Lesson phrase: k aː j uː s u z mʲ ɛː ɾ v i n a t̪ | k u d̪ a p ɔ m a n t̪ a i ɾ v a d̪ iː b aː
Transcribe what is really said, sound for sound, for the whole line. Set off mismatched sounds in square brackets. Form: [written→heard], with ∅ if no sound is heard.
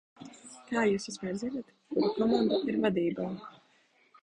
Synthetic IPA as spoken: k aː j uː s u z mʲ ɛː ɾ [v→z] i n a t̪ | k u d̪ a [p→k] ɔ m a n [t̪→d̪] a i ɾ v a d̪ iː b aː